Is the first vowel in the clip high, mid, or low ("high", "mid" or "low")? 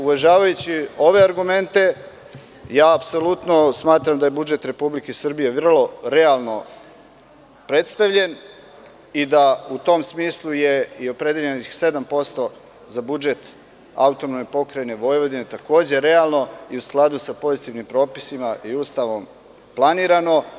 high